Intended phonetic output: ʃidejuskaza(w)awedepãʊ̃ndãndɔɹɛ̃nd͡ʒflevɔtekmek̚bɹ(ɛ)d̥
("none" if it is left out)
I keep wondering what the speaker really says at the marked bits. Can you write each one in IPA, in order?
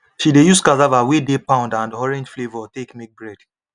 v, ɛ

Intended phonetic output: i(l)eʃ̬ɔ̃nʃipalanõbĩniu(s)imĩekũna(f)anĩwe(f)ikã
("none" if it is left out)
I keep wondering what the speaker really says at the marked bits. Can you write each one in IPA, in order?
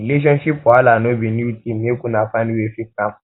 l, t, f, f

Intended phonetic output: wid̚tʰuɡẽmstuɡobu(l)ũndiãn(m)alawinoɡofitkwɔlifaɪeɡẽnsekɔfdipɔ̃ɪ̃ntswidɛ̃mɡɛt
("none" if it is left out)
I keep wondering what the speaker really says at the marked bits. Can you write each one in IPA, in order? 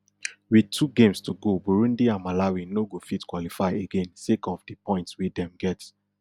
ɹ, m

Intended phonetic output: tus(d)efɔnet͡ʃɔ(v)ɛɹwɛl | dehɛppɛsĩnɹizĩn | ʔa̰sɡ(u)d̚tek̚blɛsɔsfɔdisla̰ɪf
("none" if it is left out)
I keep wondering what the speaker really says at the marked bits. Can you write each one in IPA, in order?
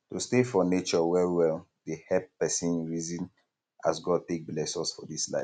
t, w, ɔ

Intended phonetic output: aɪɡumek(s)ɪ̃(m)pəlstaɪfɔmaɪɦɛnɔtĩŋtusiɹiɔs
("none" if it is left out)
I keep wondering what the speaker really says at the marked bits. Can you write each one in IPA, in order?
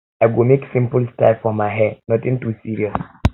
s, m

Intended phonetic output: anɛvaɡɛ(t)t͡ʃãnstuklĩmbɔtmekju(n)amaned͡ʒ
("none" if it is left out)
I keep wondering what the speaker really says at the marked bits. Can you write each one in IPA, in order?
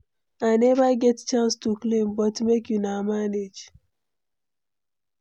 t, n

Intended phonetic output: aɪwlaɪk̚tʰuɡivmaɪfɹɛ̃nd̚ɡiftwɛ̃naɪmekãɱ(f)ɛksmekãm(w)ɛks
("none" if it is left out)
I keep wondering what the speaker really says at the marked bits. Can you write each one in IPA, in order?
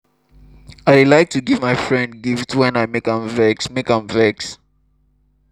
v, v

